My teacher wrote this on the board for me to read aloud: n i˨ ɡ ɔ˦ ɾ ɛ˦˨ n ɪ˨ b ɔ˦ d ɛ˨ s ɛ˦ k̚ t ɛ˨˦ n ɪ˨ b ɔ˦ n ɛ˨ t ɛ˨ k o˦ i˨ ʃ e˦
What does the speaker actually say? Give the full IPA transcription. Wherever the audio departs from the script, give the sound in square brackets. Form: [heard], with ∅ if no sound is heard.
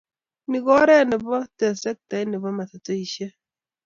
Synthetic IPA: n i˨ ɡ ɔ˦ ɾ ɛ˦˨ n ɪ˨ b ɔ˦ [t] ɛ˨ s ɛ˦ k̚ t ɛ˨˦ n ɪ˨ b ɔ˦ [m] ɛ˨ t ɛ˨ [t] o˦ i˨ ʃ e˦